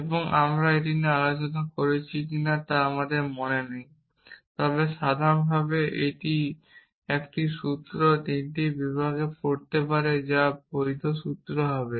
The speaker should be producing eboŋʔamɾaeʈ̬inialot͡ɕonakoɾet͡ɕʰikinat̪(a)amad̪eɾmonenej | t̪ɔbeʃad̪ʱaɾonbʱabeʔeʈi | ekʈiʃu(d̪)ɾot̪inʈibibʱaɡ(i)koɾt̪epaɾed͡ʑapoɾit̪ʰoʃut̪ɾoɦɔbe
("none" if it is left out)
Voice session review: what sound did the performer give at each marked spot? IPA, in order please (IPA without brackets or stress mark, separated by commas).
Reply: a, t̪, e